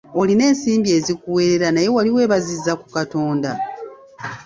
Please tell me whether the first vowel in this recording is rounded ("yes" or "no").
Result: yes